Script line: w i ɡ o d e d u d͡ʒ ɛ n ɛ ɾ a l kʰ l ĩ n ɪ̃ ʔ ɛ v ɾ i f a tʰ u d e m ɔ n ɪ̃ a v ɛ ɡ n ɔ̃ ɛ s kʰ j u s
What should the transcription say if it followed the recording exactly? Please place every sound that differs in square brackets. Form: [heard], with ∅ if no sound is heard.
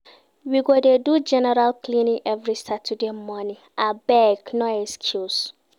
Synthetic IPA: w i ɡ o d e d u d͡ʒ ɛ n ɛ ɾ a l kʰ l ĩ n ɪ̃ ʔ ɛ v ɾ i [s] a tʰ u d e m ɔ n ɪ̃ a [b] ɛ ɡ n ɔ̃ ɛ s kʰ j u s